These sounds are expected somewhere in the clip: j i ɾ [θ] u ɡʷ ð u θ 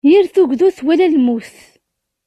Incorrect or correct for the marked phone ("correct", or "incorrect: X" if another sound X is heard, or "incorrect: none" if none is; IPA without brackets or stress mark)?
correct